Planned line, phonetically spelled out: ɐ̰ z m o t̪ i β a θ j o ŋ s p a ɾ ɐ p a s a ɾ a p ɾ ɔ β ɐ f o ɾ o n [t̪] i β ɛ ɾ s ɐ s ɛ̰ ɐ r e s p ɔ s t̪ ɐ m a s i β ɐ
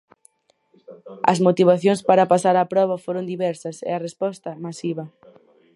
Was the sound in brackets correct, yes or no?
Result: no